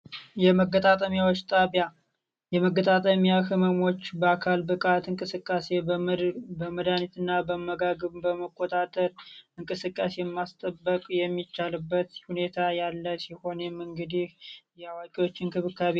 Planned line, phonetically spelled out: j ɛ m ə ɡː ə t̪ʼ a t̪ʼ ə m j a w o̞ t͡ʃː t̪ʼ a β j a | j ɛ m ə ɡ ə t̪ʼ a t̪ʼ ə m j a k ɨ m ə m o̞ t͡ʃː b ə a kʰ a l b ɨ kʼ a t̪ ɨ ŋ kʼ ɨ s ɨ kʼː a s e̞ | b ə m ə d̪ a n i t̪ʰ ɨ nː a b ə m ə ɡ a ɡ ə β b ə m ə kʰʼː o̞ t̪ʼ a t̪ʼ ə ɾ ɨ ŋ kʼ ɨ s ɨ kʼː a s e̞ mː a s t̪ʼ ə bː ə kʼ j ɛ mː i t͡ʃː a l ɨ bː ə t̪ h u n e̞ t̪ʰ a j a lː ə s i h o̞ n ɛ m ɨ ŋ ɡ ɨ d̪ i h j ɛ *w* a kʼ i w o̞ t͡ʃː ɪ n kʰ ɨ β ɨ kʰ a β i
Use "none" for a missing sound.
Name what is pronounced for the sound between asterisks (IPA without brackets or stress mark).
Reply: w